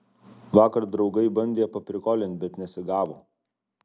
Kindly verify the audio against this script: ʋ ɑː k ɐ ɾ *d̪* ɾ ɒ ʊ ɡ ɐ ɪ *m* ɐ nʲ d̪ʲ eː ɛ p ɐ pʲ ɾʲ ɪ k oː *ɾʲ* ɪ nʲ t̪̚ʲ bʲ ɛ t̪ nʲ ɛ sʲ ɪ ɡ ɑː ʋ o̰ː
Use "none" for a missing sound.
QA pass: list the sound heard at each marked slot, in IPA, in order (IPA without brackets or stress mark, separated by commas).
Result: d̪, b, lʲ